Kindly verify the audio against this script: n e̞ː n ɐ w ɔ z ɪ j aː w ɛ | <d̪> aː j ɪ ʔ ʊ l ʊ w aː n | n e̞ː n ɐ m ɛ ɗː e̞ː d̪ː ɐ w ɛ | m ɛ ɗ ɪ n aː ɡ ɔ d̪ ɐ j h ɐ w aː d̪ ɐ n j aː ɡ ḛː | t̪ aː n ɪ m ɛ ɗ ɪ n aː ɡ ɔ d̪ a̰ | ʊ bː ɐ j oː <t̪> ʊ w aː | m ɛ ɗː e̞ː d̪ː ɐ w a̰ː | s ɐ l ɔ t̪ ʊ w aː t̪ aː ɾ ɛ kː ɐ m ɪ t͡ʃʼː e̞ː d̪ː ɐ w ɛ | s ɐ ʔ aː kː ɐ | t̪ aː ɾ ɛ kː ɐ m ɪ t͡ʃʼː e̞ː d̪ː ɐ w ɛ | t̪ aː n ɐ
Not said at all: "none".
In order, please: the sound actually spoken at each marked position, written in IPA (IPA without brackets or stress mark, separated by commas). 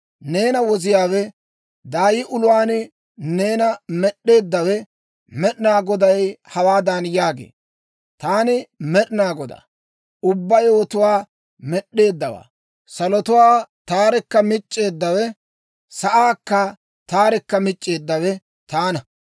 d̪, t̪